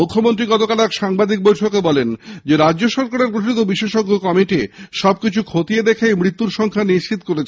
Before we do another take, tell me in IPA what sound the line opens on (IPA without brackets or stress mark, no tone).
u